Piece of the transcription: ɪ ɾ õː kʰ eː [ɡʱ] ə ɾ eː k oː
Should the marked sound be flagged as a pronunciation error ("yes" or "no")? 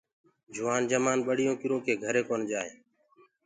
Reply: no